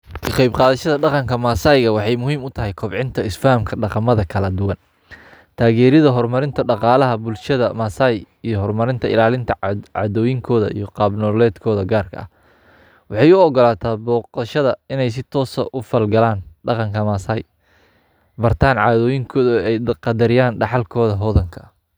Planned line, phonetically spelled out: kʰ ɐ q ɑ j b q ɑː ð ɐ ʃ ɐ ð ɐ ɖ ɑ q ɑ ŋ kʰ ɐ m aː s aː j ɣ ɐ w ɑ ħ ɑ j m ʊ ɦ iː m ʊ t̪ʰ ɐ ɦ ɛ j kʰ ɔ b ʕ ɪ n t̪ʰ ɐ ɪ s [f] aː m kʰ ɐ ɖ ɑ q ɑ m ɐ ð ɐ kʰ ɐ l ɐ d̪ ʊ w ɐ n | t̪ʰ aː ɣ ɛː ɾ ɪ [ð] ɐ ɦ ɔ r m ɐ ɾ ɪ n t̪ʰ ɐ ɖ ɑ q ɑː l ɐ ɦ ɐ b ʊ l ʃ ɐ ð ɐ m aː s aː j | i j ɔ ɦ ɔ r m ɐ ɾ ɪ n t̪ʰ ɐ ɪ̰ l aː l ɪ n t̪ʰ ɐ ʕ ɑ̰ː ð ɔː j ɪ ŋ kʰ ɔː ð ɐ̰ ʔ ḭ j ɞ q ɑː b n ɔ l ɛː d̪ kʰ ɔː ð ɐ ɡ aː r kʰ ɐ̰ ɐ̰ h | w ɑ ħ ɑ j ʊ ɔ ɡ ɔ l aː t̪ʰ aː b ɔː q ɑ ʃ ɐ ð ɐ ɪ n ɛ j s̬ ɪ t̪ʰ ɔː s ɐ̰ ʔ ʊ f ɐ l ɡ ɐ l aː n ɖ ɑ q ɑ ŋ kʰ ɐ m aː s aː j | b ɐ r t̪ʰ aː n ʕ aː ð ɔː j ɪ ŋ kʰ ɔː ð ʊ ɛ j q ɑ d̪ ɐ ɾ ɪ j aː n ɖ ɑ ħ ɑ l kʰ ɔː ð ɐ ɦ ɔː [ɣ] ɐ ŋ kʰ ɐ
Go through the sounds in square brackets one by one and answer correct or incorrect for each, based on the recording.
correct, correct, incorrect: ð

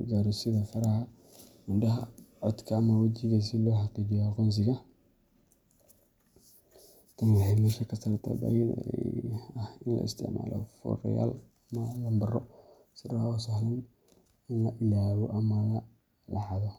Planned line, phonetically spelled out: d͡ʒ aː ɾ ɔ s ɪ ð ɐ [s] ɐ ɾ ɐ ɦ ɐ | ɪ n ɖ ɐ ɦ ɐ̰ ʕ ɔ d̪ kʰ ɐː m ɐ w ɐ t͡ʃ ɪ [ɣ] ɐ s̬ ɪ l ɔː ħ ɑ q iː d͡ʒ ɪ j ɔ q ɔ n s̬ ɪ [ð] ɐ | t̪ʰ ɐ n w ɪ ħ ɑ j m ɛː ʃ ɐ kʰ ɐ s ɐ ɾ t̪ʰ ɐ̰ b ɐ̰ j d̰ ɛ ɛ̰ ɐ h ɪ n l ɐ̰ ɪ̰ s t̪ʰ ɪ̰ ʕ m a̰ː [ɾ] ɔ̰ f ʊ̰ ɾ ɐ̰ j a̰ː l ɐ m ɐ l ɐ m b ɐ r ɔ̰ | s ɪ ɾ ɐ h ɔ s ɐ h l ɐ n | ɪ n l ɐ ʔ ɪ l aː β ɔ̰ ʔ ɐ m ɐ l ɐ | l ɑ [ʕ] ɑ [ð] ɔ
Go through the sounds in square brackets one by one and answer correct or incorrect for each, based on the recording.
incorrect: f, correct, incorrect: ɣ, incorrect: l, correct, correct

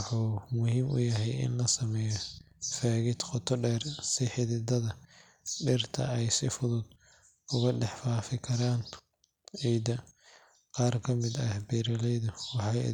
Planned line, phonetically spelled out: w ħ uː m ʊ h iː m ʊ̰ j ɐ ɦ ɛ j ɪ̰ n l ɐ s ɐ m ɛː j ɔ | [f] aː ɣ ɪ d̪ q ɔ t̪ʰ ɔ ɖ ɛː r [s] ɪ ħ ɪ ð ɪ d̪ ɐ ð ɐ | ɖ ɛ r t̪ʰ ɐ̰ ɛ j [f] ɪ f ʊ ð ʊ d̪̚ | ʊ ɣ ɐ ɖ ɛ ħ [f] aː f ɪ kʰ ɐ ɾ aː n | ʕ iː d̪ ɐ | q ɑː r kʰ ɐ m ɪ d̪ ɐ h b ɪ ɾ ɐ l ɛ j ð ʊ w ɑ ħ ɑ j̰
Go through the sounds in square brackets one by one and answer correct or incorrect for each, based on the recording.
correct, correct, incorrect: s, correct

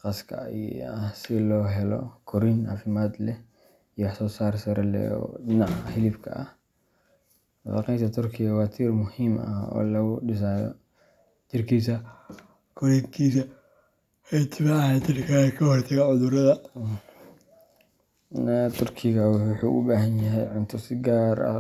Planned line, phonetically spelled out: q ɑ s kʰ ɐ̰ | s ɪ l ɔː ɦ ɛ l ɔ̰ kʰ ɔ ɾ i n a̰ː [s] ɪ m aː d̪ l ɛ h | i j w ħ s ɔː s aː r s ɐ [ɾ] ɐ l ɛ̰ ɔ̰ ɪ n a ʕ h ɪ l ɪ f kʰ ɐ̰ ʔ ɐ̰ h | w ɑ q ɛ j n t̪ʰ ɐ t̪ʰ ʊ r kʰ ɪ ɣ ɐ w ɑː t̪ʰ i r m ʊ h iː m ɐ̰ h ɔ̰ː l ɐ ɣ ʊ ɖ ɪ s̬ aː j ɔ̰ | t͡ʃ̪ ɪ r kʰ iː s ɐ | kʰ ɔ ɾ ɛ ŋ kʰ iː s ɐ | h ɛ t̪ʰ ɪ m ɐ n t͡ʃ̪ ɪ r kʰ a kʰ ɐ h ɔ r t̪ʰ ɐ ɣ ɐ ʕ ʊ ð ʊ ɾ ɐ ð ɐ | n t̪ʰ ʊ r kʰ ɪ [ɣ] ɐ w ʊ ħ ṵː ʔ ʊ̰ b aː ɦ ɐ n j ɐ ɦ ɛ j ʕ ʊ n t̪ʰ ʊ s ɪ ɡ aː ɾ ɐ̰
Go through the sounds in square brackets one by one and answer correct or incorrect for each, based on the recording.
incorrect: f, correct, correct

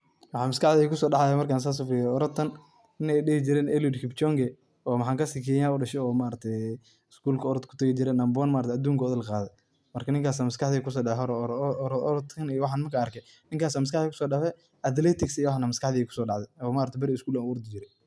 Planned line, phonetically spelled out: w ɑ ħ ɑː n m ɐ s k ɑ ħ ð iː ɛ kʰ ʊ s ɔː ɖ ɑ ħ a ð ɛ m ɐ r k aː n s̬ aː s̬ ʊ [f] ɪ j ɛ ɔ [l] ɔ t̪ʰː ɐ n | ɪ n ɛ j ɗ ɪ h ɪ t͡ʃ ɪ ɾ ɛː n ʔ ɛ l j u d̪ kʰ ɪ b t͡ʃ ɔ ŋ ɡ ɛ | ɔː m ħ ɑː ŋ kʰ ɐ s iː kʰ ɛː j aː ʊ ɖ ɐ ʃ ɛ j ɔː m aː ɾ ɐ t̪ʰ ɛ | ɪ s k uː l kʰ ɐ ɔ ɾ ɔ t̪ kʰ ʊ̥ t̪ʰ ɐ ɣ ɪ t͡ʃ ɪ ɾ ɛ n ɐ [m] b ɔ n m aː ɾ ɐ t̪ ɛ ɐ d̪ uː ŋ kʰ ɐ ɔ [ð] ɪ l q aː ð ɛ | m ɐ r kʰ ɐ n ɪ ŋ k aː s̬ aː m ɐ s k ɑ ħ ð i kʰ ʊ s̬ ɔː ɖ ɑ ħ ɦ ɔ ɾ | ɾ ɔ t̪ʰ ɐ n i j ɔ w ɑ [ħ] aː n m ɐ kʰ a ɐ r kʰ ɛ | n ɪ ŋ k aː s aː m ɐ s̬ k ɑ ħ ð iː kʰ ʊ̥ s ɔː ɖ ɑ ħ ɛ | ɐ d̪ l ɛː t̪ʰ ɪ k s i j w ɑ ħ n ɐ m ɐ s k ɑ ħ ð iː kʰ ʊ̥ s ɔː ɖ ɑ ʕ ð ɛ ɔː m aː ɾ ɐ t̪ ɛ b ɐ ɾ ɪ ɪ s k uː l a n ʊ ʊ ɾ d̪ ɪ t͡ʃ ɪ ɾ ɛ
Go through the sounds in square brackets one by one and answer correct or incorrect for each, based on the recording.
correct, incorrect: ɾ, correct, correct, correct

